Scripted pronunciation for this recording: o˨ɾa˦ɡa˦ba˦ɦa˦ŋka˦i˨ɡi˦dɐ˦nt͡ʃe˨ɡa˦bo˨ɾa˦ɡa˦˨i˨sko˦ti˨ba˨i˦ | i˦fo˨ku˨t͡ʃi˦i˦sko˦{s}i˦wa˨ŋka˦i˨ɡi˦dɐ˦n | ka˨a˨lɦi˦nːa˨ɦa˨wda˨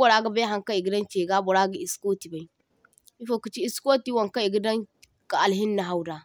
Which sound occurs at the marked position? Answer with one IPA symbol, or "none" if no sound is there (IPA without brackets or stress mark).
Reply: t